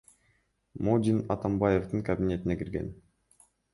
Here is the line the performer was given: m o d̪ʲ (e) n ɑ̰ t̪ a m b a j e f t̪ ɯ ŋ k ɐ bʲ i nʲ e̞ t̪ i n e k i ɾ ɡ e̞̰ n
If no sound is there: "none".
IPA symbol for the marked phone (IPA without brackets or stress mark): i